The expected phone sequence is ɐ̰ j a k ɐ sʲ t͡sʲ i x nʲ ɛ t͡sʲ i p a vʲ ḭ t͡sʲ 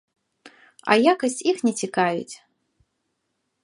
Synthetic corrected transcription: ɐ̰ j a k ɐ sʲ t͡sʲ i x nʲ ɛ t͡sʲ i k a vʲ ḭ t͡sʲ